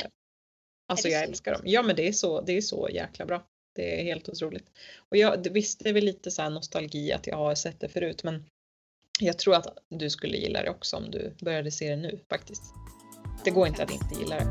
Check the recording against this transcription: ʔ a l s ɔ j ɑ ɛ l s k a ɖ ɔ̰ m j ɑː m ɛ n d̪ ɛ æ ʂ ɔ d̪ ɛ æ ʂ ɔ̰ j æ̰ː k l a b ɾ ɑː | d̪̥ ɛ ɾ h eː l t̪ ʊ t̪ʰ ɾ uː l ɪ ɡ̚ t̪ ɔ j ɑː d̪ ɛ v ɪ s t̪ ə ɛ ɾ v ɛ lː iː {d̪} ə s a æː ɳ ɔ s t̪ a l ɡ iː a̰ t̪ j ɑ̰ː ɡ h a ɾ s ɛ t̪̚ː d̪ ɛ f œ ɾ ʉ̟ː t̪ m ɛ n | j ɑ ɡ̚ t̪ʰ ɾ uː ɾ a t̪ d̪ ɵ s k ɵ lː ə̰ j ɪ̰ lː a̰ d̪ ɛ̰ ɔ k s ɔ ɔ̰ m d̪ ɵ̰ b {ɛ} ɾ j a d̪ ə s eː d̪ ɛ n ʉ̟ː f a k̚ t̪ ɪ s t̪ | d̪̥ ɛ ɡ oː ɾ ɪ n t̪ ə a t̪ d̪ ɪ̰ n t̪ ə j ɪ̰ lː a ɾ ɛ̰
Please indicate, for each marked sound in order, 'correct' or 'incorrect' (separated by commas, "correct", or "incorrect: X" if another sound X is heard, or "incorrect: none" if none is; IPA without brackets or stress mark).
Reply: incorrect: t̪, incorrect: œ